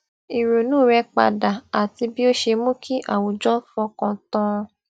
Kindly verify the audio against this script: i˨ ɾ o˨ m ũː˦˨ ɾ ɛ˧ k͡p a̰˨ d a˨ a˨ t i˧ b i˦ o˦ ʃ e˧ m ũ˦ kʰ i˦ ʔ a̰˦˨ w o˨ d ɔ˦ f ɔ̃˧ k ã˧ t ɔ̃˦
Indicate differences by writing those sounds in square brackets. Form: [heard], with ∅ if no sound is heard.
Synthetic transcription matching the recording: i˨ ɾ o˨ [n] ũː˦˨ ɾ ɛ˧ k͡p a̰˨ d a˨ a˨ t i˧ b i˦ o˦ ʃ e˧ m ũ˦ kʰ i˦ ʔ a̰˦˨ w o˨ [d͡ʒ] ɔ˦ f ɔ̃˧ k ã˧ t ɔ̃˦